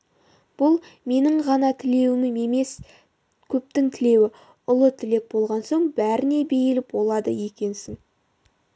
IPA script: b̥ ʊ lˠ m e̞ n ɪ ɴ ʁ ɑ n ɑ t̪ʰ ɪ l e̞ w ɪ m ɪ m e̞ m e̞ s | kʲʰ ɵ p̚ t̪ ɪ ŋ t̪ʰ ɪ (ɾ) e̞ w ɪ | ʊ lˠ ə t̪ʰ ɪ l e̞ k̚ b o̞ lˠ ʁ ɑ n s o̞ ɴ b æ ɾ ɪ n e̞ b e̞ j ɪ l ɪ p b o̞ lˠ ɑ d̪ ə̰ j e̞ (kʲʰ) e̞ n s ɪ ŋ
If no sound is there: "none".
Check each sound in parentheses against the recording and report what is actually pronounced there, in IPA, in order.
l, kʲ

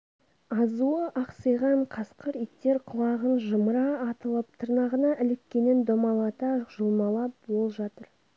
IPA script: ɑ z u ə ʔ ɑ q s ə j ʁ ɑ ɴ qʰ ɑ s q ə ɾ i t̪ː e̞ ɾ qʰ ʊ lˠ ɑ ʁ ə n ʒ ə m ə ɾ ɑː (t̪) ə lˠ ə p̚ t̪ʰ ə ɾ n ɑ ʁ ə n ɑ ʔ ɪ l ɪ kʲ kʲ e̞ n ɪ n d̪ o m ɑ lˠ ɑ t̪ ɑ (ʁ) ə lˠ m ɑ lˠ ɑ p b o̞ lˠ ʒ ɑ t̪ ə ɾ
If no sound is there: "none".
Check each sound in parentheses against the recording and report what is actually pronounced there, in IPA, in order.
t̪, ʒ

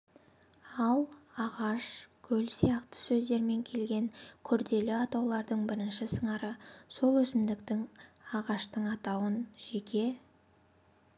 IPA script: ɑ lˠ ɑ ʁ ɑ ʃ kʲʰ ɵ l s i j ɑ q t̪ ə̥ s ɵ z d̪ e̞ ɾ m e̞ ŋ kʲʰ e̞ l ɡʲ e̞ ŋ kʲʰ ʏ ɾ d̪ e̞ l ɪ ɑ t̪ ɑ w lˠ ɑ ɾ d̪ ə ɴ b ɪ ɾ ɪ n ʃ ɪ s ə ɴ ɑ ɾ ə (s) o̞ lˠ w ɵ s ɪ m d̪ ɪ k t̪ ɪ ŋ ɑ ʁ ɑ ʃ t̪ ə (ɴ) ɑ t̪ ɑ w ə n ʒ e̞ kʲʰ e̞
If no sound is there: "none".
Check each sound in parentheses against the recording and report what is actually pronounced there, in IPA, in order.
s, ɴ

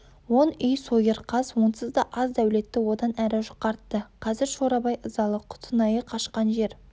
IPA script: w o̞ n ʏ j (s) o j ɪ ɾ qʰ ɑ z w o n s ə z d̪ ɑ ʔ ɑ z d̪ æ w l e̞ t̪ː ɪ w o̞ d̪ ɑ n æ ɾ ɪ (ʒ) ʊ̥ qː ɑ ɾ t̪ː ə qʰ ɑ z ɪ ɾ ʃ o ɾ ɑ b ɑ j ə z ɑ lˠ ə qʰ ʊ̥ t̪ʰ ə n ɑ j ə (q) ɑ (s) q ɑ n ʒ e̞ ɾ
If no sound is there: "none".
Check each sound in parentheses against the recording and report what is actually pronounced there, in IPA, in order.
s, ʒ, qʰ, ʃ

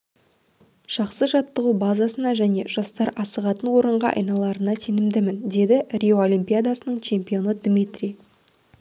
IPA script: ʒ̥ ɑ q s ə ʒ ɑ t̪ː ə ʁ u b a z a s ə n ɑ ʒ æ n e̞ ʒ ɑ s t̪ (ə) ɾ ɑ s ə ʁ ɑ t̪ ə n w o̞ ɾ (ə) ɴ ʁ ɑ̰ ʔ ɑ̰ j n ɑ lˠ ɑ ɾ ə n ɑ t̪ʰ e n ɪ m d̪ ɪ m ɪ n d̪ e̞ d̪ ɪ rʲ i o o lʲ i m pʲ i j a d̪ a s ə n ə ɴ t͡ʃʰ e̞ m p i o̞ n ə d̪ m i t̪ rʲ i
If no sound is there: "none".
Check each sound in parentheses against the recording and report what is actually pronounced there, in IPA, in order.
ɑ, ə

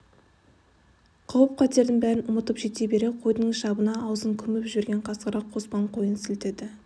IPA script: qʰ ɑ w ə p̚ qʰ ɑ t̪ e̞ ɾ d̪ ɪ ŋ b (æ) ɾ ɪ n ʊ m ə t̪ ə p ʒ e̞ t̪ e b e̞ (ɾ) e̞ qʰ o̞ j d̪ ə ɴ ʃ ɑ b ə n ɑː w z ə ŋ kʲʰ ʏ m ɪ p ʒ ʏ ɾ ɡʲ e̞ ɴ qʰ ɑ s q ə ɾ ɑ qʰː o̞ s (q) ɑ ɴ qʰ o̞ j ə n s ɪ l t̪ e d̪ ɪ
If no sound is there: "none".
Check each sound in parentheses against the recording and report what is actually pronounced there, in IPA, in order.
æ, ɾ, p

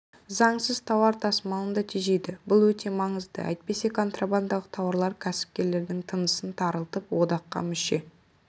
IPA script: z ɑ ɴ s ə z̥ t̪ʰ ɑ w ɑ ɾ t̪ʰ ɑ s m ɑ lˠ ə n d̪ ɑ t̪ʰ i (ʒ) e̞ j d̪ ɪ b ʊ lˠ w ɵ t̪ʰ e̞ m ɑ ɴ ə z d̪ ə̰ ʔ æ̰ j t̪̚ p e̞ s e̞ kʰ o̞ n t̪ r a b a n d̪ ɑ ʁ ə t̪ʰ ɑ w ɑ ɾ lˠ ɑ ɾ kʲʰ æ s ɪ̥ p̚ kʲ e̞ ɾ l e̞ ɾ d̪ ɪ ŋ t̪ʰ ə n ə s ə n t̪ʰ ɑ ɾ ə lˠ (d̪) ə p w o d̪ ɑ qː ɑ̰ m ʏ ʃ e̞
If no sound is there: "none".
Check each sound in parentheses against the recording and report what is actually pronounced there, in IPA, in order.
ʒ, t̪

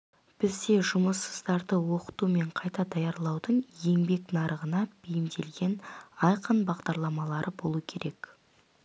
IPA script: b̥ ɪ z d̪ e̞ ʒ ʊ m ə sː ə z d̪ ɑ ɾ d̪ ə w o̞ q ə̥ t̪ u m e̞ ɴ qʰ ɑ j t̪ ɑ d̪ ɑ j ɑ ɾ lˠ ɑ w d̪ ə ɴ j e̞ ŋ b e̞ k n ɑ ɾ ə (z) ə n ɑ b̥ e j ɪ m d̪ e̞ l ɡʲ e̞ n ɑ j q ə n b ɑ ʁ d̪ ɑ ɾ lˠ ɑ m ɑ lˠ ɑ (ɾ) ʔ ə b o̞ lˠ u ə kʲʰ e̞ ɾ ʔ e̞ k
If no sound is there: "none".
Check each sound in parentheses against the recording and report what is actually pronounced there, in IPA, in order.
ʁ, ɾ

